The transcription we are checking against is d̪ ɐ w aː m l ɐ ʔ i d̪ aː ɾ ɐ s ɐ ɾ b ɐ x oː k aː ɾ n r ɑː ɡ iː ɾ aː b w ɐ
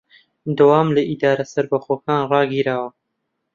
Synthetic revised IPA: d̪ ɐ w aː m l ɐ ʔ i d̪ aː ɾ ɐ s ɐ ɾ b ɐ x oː k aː n r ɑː ɡ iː ɾ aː w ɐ